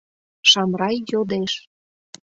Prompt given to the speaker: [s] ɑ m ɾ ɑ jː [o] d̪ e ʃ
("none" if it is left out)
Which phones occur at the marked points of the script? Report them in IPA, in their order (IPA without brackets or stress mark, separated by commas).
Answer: ʃ, o